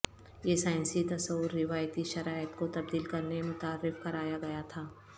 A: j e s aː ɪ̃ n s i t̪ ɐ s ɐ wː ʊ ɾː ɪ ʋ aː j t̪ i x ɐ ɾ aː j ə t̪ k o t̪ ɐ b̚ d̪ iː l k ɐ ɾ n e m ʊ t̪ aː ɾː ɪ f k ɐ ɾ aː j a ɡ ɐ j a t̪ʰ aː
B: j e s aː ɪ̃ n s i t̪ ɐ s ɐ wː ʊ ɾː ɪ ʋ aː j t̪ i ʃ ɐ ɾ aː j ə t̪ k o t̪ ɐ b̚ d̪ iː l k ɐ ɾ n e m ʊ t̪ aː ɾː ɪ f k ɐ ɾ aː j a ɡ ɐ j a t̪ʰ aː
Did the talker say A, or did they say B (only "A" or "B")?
B